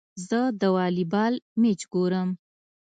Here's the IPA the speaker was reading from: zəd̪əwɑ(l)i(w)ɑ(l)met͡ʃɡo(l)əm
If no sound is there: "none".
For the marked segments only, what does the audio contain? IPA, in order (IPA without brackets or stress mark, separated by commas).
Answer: l, b, l, ɾ